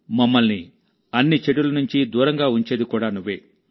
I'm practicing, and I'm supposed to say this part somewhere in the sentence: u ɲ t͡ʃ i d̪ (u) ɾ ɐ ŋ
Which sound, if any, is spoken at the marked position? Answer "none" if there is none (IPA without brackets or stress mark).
uː